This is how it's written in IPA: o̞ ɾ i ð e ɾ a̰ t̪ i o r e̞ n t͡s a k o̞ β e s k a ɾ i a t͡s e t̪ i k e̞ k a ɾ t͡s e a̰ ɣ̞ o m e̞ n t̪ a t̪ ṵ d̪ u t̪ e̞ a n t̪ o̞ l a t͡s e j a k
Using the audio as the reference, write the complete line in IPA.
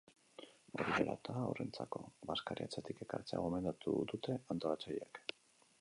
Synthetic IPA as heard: o̞ ɾ i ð e ɾ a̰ t̪ a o r e̞ n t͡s a k o̞ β a s k a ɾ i a t͡s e t̪ i k e̞ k a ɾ t͡s e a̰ ɣ̞ o m e̞ n d̪ a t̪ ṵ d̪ u t̪ e̞ a n t̪ o̞ l a t͡s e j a k

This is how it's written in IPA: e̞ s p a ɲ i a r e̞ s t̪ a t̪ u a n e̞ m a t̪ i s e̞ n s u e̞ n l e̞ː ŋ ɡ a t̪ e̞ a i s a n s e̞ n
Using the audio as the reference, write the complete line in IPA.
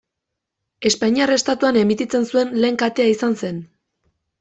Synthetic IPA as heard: e̞ s p a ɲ i a r e̞ s t̪ a t̪ u a n e̞ m i t̪ i t͡s e̞ n s u e̞ n l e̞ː ŋ k a t̪ e̞ a i s a n s e̞ n

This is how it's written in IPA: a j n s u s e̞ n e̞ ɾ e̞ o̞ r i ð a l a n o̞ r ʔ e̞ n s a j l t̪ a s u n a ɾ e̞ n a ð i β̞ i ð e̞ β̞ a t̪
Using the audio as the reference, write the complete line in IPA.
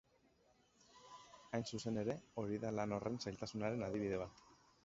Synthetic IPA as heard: a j n s u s e̞ n e̞ ɾ e̞ o̞ ɾ i ð a l a n o̞ r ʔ e̞ n s a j l t̪ a s u n a ɾ e̞ n a ð i β̞ i ð e̞ β̞ a t̪

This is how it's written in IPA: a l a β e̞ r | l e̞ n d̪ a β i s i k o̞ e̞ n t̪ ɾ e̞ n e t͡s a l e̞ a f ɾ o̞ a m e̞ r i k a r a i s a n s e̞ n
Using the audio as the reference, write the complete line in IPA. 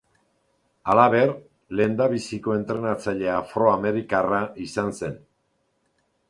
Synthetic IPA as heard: a l a β e̞ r | l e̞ n d̪ a β i s i k o̞ e̞ n t̪ ɾ e̞ n a t͡s a ʎ e̞ a f ɾ o̞ a m e̞ ɾ i k a r a i s a n s e̞ n

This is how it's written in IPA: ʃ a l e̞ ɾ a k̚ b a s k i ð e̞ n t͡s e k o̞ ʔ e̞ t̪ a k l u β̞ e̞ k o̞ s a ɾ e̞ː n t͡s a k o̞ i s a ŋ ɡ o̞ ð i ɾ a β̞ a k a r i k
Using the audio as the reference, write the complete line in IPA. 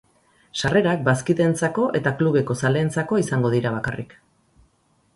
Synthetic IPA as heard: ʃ a r e̞ ɾ a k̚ b a s k i ð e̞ n t͡s a k o̞ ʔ e̞ t̪ a k l u β̞ e̞ k o̞ s a l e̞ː n t͡s a k o̞ i s a ŋ ɡ o̞ ð i ɾ a β̞ a k a r i k

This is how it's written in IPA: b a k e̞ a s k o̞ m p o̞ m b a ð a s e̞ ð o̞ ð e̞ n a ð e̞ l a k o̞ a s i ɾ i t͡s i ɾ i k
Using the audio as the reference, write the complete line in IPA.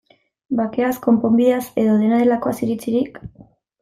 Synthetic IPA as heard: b a k e̞ a s k o̞ m p o̞ m b i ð a s e̞ ð o̞ ð e̞ n a ð e̞ l a k o̞ a s i ɾ i t͡s i ɾ i k

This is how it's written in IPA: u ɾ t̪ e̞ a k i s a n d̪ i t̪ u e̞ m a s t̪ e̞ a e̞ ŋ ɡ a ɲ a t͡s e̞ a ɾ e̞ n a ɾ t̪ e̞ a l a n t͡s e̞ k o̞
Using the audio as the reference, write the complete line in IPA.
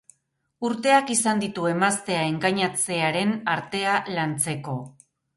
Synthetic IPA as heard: u ɾ t̪ e̞ a k i s a n d̪ i t̪ u e̞ m a s t̪ e̞ a e̞ ŋ ɡ a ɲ a t͡s e̞ a ɾ e̞ n a ɾ t̪ e̞ a l a n t͡s e̞ k o̞

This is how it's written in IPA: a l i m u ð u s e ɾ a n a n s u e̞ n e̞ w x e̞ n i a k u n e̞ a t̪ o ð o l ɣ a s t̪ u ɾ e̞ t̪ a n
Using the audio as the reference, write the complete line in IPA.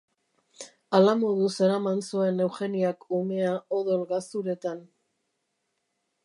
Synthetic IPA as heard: a l a m o ð u s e ɾ a m a n s u e̞ n e̞ w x e̞ n i a k u m e̞ a o ð o l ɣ a s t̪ u ɾ e̞ t̪ a n

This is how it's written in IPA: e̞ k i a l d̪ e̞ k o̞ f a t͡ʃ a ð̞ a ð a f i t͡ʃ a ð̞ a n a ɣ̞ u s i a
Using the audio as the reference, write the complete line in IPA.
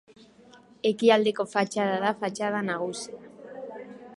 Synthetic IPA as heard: e̞ k i a l d̪ e̞ k o̞ f a t͡ʃ a ð̞ a ð a f a t͡ʃ a ð̞ a n a ɣ̞ u s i a

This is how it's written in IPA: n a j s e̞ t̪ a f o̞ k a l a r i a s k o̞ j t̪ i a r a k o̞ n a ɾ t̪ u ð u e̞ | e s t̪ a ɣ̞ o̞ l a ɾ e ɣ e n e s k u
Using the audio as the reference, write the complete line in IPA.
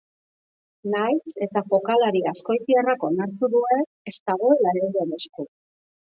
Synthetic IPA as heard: n a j s e̞ t̪ a f o̞ k a l a ɾ i a s k o̞ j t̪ i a r a k o̞ n a ɾ t̪ u ð u e̞ | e s t̪ a ɣ̞ o̞ l a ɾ e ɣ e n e s k u

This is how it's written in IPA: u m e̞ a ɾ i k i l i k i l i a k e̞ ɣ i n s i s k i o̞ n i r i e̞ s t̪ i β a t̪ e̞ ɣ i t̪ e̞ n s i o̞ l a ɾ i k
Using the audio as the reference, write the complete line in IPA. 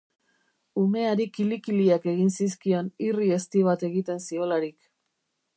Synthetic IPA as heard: u m e̞ a ɾ i k i l i k i l i a k e̞ ɣ i n s i s k i o̞ n i r i e̞ s t̪ i β a t̪ e̞ ɣ i t̪ e̞ n s i o̞ l a ɾ i k

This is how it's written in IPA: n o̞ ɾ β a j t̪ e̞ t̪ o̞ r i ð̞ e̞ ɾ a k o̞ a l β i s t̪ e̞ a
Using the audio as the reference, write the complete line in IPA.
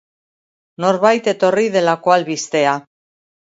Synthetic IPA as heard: n o̞ ɾ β a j t̪ e̞ t̪ o̞ r i ð̞ e̞ l a k o̞ a l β i s t̪ e̞ a

